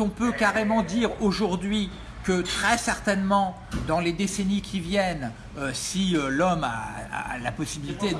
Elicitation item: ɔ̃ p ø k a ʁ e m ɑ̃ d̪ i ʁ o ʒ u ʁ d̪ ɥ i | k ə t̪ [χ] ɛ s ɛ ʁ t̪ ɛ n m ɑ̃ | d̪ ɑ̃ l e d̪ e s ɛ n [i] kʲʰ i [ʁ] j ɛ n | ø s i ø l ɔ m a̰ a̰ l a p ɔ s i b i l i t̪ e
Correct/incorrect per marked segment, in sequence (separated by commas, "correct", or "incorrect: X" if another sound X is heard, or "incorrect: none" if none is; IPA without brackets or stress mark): correct, correct, incorrect: v